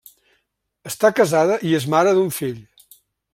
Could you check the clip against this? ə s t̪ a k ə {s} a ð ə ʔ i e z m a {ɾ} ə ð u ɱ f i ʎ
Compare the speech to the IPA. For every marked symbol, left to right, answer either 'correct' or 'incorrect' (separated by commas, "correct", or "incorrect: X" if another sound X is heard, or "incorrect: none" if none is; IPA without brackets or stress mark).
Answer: incorrect: z, correct